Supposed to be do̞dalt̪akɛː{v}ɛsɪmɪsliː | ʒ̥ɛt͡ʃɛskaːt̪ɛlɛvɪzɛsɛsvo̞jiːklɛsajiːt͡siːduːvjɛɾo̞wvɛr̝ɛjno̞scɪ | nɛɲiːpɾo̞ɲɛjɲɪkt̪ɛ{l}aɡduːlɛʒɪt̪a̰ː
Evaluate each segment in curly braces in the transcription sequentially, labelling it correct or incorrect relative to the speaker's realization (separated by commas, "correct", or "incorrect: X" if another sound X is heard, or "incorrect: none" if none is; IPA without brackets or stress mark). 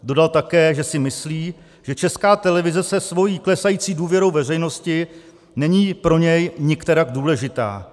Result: incorrect: ʒ, incorrect: ɾ